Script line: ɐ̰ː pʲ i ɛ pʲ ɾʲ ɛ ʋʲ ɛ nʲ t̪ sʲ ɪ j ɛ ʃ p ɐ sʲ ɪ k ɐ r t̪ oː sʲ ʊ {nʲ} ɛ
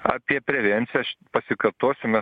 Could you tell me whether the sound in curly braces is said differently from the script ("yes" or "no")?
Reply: yes